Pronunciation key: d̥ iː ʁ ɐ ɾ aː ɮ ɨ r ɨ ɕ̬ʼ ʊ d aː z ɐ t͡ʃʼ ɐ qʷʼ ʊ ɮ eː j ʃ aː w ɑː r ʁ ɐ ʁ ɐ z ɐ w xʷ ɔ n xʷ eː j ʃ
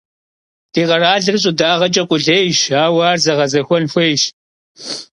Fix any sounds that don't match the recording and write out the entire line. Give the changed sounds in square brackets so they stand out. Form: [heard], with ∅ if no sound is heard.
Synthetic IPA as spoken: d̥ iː ʁ ɐ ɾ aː ɮ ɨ r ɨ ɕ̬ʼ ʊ d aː [ʁ] ɐ t͡ʃʼ ɐ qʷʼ ʊ ɮ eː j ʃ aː w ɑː r [z] ɐ ʁ ɐ z ɐ [∅] xʷ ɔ n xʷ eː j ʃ